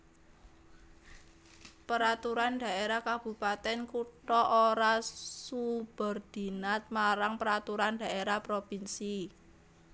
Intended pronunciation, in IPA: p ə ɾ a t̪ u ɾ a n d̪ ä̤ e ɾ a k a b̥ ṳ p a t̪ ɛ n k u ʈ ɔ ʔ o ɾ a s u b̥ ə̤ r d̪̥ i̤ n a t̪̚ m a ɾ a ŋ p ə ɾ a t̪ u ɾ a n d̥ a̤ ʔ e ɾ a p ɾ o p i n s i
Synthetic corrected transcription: p ə ɾ a t̪ u ɾ a n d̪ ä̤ e ɾ a k a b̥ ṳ p a t̪ ɛ n k u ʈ ɔ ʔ o ɾ a s u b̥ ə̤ r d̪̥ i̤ n a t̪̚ m a ɾ a ŋ p ə ɾ a t̪ u ɾ a n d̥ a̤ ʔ e ɾ a p ɾ o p i n s i